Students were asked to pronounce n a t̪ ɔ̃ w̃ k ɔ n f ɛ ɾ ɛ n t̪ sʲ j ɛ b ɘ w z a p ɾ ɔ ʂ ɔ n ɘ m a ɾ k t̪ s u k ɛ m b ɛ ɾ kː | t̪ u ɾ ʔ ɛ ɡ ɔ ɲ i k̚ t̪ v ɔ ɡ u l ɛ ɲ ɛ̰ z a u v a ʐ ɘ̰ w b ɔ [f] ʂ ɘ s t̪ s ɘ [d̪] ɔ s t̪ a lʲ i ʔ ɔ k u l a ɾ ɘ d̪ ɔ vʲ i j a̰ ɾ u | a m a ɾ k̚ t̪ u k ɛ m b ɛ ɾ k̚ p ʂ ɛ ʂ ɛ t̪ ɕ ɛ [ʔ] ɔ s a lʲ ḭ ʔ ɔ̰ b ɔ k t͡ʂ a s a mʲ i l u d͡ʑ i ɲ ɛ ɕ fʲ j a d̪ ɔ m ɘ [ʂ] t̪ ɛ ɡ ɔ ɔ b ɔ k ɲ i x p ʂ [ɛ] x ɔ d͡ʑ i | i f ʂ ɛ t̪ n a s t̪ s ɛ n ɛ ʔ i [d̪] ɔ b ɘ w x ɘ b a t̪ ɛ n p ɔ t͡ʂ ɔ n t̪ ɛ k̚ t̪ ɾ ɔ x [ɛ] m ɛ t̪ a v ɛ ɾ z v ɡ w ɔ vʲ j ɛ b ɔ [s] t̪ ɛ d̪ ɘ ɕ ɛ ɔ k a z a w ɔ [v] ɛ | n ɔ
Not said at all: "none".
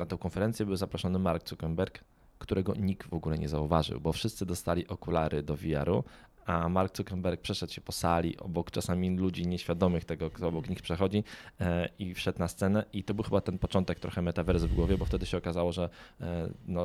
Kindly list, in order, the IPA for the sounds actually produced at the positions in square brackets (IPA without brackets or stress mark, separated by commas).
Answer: f, d̪, p, x, ɛ, t̪, ɛ, f, ʐ